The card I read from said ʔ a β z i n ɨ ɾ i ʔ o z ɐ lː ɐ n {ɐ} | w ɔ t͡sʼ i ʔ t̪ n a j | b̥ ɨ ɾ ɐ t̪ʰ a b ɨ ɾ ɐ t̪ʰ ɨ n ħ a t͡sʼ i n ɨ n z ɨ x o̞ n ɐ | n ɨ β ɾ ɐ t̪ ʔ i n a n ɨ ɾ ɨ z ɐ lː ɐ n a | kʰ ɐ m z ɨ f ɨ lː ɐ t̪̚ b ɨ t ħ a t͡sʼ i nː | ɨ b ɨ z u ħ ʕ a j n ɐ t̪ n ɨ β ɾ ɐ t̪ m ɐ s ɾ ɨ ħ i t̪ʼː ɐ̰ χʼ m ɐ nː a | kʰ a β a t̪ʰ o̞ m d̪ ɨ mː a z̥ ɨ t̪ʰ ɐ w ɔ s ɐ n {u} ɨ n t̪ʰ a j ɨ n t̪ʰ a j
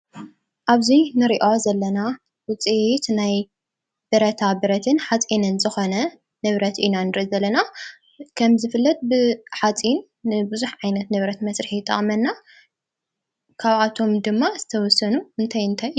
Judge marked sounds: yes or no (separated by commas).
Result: no, yes